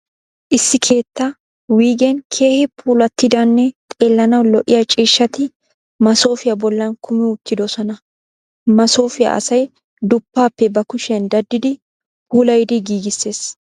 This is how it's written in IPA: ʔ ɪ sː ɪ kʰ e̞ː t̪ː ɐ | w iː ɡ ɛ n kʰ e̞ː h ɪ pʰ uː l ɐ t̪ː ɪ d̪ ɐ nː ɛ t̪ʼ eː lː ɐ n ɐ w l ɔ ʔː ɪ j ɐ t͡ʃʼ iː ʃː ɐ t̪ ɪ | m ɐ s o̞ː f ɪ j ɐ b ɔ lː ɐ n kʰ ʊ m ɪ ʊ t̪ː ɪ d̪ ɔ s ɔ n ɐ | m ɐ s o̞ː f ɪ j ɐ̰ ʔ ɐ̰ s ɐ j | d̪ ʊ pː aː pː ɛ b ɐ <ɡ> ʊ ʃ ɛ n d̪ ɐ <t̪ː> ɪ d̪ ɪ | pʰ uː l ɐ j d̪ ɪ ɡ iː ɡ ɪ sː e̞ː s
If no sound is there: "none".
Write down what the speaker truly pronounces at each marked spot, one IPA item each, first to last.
k, d̪ː

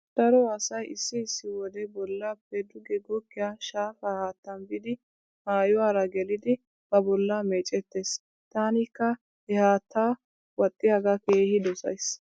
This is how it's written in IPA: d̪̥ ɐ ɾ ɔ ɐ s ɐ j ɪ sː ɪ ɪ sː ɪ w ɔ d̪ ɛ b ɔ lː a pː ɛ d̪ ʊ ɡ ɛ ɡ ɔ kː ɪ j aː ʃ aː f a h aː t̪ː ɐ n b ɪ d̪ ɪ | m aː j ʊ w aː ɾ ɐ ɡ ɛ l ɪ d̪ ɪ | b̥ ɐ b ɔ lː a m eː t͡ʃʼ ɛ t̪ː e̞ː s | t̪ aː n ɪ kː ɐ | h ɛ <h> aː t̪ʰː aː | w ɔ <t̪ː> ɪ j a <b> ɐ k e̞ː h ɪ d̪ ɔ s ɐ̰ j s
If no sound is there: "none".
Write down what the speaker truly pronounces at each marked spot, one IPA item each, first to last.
h, t̪ʼː, ɡ

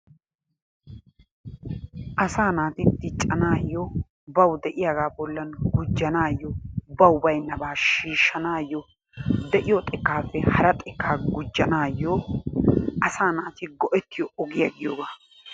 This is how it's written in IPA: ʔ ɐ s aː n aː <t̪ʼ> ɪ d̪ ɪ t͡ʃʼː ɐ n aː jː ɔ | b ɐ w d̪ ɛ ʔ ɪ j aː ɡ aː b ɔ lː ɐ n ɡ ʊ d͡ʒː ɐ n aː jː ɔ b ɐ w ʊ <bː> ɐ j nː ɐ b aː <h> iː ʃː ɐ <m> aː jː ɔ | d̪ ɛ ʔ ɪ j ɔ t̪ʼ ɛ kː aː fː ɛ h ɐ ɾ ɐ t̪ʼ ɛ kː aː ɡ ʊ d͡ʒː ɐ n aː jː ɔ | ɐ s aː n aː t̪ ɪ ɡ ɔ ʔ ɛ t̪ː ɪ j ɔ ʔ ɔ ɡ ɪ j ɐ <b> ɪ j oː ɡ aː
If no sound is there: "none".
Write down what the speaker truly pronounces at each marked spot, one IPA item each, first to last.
t̪, b, ʃ, n, ɡ

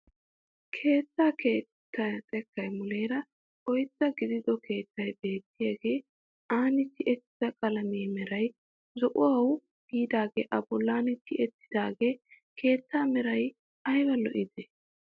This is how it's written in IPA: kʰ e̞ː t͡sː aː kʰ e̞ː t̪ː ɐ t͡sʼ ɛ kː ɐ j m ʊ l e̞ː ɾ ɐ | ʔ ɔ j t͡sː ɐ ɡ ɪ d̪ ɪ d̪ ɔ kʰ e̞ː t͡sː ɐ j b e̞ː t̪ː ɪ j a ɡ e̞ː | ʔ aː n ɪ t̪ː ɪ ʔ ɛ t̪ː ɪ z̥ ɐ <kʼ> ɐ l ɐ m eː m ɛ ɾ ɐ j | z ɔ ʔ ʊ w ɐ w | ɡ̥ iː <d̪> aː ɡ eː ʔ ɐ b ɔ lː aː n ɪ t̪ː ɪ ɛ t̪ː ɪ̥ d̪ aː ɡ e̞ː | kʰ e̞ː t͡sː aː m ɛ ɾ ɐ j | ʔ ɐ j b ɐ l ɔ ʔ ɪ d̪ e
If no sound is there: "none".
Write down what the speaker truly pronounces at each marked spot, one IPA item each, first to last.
kʼ, d̪

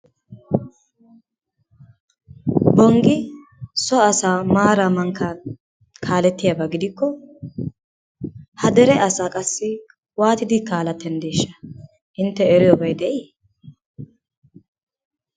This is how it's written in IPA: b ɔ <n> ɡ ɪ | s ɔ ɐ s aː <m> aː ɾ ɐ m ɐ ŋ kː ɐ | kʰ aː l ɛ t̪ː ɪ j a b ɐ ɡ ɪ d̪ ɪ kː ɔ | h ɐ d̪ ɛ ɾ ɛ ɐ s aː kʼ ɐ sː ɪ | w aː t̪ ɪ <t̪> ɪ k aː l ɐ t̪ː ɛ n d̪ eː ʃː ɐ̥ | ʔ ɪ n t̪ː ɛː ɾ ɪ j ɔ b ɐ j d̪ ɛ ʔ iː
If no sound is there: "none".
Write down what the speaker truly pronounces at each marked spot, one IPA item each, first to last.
ŋ, m, d̪

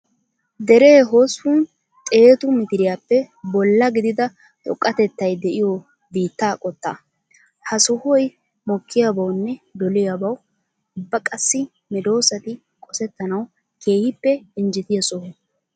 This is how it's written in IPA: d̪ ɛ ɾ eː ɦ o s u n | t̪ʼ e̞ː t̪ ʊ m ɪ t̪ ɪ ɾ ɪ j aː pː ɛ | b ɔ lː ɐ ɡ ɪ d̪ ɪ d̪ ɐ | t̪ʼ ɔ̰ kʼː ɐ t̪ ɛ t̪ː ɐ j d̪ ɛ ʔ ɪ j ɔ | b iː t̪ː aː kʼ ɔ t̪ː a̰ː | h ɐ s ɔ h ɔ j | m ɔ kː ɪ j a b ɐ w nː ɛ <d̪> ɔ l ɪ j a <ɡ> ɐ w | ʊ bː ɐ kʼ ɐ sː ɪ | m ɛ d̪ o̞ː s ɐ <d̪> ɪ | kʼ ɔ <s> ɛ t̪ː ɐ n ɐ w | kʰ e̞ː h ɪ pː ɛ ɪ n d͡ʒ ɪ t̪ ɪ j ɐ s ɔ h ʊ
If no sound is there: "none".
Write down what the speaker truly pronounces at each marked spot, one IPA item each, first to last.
d̪, b, t̪, s

